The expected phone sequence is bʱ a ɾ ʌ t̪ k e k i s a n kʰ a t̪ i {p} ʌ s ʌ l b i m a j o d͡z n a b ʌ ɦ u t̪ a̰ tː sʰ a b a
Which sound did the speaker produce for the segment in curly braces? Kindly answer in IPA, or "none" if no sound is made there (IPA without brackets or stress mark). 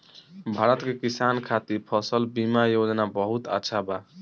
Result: pʰ